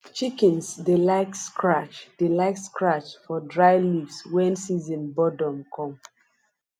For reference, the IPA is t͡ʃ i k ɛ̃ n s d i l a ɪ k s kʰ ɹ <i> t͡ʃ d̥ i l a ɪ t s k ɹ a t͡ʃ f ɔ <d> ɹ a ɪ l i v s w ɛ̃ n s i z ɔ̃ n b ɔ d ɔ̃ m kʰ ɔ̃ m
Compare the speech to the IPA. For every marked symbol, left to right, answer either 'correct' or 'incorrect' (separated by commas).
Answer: incorrect, correct